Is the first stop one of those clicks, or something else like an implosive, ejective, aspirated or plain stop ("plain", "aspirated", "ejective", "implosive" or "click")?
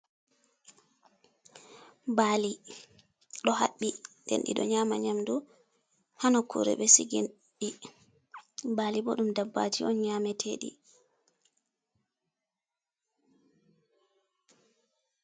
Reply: plain